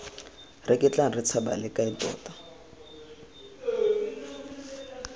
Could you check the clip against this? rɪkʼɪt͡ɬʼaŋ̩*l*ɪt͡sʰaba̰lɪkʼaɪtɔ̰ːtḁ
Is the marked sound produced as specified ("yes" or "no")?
no